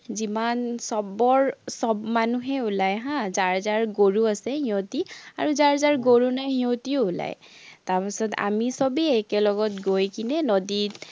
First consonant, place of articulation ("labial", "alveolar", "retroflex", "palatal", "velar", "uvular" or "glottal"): alveolar